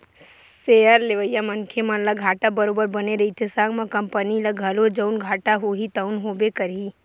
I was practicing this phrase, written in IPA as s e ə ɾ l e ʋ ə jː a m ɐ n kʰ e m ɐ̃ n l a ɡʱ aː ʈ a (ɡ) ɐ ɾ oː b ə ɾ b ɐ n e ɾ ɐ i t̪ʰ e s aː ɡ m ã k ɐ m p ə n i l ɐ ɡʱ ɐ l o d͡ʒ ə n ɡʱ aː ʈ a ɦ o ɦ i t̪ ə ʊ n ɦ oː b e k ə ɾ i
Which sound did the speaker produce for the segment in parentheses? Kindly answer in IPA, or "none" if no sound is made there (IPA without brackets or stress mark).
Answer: b